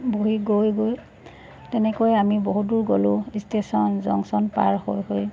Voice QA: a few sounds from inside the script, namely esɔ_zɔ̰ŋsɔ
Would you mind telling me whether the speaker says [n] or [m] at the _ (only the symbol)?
n